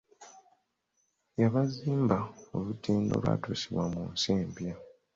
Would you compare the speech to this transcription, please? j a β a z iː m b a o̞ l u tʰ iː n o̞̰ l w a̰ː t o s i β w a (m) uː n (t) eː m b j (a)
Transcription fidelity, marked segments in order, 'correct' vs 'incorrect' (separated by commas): correct, incorrect, correct